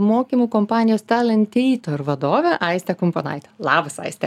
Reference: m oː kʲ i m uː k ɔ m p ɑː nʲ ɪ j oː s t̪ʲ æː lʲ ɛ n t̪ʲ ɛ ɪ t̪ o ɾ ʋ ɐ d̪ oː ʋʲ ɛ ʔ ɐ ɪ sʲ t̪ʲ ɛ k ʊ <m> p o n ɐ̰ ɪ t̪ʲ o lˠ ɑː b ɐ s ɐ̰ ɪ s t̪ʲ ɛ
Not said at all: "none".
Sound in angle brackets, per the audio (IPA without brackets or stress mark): m